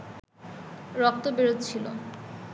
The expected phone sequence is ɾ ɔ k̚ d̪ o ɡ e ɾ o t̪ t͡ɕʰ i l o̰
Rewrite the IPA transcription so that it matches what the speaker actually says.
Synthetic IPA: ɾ ɔ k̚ t̪ o b e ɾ o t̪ t͡ɕʰ i l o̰